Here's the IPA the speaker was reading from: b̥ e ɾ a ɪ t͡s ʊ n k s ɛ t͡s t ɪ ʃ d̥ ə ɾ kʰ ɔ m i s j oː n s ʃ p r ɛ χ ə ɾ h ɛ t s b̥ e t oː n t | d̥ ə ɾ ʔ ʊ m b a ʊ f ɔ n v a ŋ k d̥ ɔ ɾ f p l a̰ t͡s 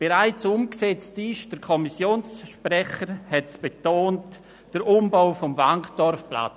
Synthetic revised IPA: b̥ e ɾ a ɪ t͡s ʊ m k s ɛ t͡s t ɪ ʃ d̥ ə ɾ kʰ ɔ m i s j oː n s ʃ p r ɛ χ ə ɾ h ɛ t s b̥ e t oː n t | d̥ ə ɾ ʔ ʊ m b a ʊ f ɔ m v a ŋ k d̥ ɔ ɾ f p l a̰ t͡s